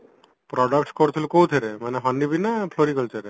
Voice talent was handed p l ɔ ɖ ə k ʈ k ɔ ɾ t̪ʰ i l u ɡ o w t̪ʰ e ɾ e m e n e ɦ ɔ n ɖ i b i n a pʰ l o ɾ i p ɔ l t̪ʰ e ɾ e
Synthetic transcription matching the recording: p ɾ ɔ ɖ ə k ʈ k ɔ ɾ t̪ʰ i l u k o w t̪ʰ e ɾ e m a n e ɦ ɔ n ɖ i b i n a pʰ l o ɾ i k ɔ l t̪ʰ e ɾ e

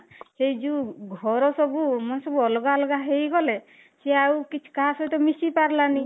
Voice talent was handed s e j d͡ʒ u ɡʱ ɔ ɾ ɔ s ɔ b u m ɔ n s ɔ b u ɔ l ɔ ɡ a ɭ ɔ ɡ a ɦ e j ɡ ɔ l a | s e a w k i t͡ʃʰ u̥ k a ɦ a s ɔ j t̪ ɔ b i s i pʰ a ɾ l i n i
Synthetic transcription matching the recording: s e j d͡ʒ u ɡʱ ɔ ɾ ɔ s ɔ b u m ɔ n s ɔ b u ɔ l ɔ ɡ a l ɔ ɡ a ɦ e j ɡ ɔ l e | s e a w k i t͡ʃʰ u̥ k a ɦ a s ɔ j t̪ ɔ m i s i p a ɾ l a n i

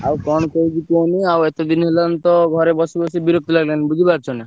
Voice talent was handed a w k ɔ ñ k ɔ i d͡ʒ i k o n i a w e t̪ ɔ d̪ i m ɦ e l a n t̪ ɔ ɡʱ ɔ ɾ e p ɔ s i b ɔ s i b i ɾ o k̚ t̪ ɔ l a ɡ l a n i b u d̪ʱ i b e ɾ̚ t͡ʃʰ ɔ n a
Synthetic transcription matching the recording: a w k ɔ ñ k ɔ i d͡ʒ i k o n i a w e t̪ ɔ d̪ i n ɦ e l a n t̪ ɔ ɡʱ ɔ ɾ e b ɔ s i b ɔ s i b i ɾ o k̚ t̪ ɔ l a ɡ l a n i b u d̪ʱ i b a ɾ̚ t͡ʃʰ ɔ n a

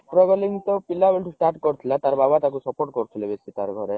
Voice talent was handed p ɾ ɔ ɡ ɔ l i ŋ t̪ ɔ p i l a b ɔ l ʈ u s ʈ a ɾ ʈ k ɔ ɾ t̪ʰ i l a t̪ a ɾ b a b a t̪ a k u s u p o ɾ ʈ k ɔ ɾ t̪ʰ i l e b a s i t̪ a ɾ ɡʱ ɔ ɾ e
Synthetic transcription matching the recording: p ɾ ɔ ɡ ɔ l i ŋ t̪ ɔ p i l a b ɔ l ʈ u s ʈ a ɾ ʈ k ɔ ɾ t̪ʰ i l a t̪ a ɾ b a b a t̪ a k u s ɔ p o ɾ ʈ k ɔ ɾ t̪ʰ i l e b e s i t̪ a ɾ ɡʱ ɔ ɾ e

